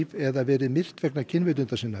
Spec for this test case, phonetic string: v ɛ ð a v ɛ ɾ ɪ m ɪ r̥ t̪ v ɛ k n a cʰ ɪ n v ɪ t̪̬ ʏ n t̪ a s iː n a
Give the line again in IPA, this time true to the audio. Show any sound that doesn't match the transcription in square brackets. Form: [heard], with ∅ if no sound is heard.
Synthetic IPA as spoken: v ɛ ð a v [ɛː] ɾ ɪ m ɪ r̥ t̪ v ɛ k n a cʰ ɪ n v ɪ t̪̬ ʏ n t̪ a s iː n a